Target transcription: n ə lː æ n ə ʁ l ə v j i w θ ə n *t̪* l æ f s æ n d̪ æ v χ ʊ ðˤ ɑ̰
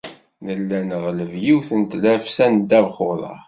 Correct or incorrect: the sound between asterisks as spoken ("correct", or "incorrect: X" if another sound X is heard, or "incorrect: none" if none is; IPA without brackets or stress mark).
correct